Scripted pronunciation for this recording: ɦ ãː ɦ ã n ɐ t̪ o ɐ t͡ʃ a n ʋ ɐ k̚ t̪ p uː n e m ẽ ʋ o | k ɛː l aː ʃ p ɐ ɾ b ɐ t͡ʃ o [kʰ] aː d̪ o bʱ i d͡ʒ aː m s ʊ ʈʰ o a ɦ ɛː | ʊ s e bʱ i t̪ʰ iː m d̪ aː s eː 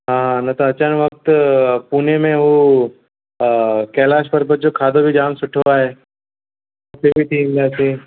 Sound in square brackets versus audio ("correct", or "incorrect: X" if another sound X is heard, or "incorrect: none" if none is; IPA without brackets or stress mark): correct